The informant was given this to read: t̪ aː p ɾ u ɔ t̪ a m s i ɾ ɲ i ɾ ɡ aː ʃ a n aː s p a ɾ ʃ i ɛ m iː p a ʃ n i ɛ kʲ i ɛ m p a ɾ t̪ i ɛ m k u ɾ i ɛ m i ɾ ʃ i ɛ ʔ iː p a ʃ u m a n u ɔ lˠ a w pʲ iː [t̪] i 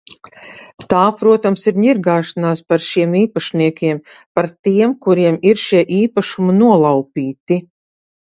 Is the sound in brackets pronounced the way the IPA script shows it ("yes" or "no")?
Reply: yes